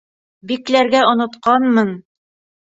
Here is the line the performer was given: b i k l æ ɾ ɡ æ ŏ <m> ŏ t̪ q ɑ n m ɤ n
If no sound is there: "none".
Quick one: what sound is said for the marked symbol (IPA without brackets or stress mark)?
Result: n